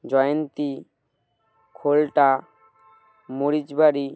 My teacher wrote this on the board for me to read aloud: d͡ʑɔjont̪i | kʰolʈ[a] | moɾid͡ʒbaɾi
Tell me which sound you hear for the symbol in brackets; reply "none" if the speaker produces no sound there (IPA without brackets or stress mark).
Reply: a